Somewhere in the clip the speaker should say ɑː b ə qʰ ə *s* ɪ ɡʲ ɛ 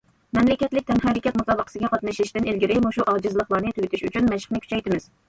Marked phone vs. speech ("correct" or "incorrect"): correct